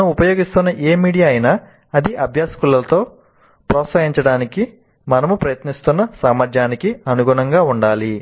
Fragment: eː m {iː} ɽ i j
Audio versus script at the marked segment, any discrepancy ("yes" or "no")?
no